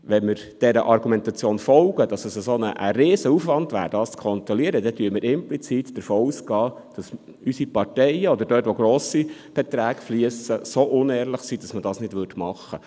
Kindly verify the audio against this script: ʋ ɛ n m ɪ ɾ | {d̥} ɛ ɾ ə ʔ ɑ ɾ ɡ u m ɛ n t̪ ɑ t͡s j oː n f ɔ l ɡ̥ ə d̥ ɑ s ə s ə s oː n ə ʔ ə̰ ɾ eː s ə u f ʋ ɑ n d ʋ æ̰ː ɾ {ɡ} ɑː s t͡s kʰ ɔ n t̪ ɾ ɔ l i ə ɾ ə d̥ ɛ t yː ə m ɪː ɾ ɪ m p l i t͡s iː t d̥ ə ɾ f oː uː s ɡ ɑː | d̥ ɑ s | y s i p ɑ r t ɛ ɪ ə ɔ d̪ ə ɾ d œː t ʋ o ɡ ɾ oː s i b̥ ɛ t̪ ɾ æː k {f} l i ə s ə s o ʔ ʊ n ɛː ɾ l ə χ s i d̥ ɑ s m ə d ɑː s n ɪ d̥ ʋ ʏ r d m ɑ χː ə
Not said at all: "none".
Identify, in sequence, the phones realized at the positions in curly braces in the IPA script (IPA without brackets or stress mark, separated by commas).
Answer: d̥, d, f